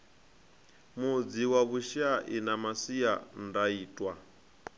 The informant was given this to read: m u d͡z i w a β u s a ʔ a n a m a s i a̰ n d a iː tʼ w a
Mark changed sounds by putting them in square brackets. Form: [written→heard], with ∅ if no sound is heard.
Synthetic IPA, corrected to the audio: m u d͡z i w a β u [s→ʃ] a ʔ [a→i] n a m a s i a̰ n d a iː tʼ w a